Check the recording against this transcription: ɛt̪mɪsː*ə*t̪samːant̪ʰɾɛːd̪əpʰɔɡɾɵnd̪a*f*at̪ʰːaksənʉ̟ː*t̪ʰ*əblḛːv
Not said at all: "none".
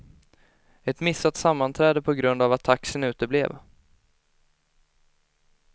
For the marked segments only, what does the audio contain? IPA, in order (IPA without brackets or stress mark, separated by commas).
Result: a, v, t̪